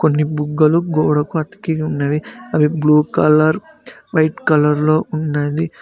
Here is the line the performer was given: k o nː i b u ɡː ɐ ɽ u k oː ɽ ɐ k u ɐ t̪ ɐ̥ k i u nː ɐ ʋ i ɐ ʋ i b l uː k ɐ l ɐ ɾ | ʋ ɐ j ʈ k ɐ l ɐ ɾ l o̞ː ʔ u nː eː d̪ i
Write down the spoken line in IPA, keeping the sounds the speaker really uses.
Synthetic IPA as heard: k o nː i b u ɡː ɐ l u ɡ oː ɽ ɐ k u ɐ t̪ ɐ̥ k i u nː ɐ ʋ i ɐ ʋ i b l uː k ɐ l ɐ ɾ | ʋ ɐ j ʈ k ɐ l ɐ ɾ l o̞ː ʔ u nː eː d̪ i